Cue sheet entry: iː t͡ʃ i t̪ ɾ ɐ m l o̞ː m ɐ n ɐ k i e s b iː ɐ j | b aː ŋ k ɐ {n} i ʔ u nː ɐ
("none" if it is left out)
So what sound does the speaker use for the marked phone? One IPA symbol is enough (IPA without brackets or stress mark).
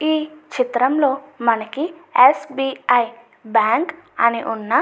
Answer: n